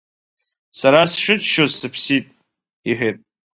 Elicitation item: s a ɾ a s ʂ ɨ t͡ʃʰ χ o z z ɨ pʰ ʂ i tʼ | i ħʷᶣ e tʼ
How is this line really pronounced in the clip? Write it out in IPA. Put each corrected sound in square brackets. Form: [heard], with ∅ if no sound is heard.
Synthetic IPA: s a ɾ a s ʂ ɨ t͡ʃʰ [ʃ] o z [s] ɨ pʰ [s] i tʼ | i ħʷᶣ e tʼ